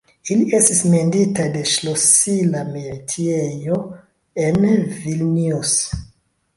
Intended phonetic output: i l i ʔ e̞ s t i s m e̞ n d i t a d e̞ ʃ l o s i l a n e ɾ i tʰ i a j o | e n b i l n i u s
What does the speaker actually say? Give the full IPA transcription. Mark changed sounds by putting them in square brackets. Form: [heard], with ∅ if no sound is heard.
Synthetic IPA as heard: i l i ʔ e̞ s t i s m e̞ n d i t a d e̞ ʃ l o s i l a [m] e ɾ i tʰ i [e] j o | e n [v] i l n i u s

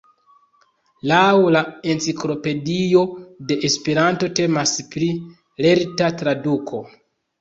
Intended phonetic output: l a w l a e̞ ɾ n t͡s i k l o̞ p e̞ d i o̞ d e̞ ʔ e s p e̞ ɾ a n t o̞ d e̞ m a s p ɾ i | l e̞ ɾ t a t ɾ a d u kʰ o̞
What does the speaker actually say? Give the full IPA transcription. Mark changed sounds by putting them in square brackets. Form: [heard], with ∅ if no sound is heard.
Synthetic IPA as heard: l a w l a e̞ [∅] n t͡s i k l o̞ p e̞ d i o̞ d e̞ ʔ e s p e̞ ɾ a n t o̞ [t] e̞ m a s p ɾ i | l e̞ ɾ t a t ɾ a d u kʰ o̞

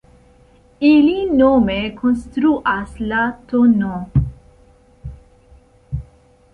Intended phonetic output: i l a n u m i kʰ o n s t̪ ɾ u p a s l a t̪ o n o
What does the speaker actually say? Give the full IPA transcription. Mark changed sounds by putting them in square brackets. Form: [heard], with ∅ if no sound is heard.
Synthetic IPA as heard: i l [i] n [o] m [e] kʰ o n s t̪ ɾ u [ʔ] a s l a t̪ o n o

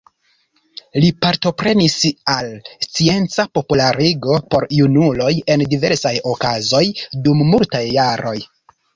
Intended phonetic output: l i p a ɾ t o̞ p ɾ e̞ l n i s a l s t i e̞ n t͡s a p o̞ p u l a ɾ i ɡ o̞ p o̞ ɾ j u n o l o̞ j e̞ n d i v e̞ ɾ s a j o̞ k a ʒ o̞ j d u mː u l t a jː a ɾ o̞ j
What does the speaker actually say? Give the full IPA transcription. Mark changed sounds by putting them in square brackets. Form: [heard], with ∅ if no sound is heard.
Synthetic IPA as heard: l i p a ɾ t o̞ p ɾ e̞ [∅] n i s a l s [t͡s] i e̞ n t͡s a p o̞ p u l a ɾ i ɡ o̞ p o̞ ɾ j u n [u] l o̞ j e̞ n d i v e̞ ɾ s a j o̞ k a [z] o̞ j d u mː u l t a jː a ɾ o̞ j

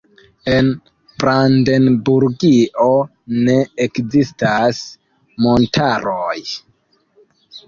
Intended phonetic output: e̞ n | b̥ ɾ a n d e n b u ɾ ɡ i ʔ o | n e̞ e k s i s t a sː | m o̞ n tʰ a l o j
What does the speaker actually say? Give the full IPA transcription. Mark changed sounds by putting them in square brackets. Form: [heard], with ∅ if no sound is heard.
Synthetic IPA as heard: e̞ n | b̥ ɾ a n d e n b u ɾ ɡ i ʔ o | n e̞ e k [z] i s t a [s] | m o̞ n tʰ a [ɾ] o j

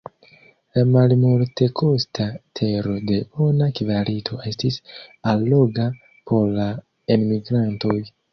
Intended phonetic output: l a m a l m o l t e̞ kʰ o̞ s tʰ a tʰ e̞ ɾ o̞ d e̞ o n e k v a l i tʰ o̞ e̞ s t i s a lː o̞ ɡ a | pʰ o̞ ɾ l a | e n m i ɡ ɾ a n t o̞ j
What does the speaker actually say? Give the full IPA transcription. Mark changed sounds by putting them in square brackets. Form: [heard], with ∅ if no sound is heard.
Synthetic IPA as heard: l a m a l m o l t e̞ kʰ o̞ s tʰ a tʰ e̞ ɾ o̞ d e̞ o n [a] k v a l i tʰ o̞ e̞ s t i s a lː o̞ ɡ a | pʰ o̞ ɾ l a | e n m i ɡ ɾ a n t o̞ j

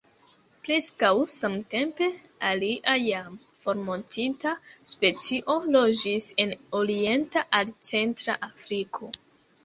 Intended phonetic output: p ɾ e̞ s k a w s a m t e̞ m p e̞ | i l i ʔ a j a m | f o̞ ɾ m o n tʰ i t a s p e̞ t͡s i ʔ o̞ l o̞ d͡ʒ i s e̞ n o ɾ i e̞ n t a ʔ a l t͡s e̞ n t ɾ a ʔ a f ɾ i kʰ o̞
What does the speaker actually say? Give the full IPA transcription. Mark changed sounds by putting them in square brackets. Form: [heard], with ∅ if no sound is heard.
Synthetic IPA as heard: p ɾ e̞ s k a w s a m t e̞ m p e̞ | [a] l i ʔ a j a m | f o̞ ɾ m o n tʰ i t a s p e̞ t͡s i ʔ o̞ l o̞ d͡ʒ i s e̞ n o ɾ i e̞ n t a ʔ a l t͡s e̞ n t ɾ a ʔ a f ɾ i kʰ o̞

